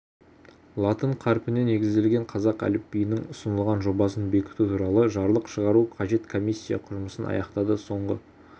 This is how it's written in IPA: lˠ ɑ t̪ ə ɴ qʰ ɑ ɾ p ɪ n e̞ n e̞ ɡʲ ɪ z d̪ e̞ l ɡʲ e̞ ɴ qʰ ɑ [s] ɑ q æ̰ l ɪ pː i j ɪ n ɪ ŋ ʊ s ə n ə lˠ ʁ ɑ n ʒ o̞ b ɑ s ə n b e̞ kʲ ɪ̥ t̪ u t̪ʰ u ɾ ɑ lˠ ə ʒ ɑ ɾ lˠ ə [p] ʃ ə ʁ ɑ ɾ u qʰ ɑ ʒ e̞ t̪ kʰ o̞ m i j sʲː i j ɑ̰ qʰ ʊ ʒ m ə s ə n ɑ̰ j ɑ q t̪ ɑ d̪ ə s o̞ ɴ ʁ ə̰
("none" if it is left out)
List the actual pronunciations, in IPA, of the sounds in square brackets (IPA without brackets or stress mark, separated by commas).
z, q